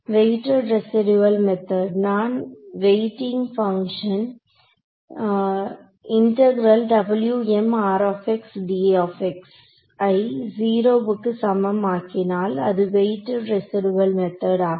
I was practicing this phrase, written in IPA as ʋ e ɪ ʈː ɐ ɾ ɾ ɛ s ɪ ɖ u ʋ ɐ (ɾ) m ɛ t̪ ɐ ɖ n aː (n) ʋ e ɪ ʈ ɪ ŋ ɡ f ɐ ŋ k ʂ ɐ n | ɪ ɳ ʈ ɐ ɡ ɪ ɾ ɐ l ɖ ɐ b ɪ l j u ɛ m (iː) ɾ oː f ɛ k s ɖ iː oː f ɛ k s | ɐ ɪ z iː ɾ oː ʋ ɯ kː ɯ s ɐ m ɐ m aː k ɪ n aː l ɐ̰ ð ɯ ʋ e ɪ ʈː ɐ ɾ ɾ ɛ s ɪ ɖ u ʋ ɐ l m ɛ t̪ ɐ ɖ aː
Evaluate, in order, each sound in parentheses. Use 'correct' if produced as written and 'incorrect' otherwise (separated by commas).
incorrect, correct, incorrect